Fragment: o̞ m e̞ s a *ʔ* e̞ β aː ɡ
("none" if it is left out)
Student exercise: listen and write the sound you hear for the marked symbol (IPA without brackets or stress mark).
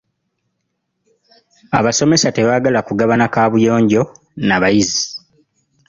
t